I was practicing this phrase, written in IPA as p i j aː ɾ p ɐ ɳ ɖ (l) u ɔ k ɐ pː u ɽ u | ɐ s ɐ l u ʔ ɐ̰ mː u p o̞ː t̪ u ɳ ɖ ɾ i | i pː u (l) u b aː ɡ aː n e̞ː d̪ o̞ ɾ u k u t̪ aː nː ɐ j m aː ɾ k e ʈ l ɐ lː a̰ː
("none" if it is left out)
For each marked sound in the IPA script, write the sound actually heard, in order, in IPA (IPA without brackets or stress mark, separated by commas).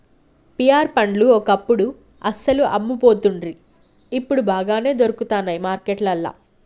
l, ɽ